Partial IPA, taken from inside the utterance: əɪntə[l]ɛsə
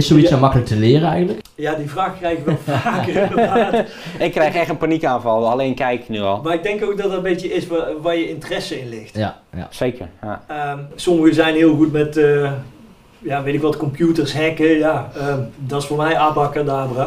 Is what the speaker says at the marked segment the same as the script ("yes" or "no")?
no